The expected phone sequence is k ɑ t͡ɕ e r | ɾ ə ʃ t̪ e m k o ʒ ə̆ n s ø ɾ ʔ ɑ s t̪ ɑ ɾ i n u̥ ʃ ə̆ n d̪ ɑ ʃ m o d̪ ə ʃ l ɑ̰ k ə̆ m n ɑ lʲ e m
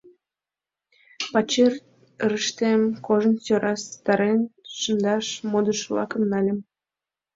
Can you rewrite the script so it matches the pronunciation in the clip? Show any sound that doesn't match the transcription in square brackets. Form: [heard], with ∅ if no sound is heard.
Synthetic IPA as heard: [p] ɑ t͡ɕ e r | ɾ ə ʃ t̪ e m k o ʒ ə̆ n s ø ɾ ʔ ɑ s t̪ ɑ ɾ [e] n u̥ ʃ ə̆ n d̪ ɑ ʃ m o d̪ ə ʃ l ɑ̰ k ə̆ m n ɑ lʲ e m